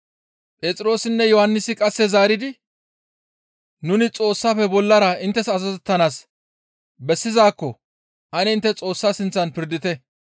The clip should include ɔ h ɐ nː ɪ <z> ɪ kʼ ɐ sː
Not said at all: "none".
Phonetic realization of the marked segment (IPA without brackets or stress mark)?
s